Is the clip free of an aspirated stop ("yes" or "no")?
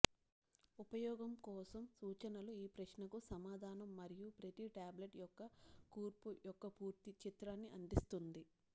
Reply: yes